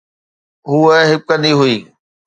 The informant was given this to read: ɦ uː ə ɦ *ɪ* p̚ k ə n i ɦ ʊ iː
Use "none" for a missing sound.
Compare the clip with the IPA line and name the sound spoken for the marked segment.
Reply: ɪ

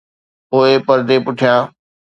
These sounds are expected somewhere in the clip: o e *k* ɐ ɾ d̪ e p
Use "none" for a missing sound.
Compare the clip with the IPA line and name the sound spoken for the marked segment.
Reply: p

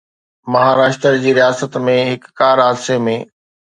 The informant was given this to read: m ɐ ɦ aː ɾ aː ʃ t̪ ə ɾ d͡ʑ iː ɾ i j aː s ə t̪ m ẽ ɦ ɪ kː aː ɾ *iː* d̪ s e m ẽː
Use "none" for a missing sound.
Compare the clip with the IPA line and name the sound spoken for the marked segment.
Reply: aː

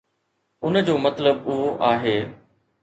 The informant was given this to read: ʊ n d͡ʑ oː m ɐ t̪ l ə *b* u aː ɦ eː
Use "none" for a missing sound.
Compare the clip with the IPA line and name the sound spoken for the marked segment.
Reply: b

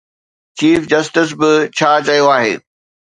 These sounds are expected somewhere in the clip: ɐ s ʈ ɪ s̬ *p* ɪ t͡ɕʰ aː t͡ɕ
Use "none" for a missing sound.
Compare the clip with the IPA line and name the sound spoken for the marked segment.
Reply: b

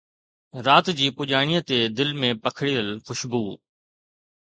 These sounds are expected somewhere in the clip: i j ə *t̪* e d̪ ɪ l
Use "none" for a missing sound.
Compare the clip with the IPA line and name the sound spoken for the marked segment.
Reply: t̪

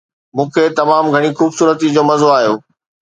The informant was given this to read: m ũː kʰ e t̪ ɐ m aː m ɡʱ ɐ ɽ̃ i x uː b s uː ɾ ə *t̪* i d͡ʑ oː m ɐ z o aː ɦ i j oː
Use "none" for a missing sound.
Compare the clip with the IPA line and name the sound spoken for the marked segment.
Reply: t̪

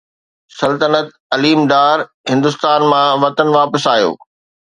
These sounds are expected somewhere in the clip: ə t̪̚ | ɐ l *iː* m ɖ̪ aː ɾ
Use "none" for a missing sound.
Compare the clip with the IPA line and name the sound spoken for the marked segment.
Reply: iː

